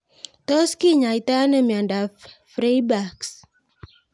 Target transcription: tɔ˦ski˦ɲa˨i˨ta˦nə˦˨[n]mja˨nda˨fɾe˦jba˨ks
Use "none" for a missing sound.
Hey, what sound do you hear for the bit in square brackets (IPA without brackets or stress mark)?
none